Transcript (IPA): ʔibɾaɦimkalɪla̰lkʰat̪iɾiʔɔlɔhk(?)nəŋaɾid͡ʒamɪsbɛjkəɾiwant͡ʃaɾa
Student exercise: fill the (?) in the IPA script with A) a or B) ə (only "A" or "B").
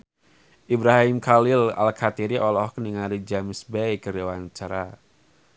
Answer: B